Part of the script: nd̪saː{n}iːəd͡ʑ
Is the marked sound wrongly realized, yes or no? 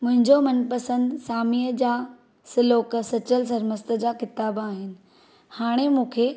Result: yes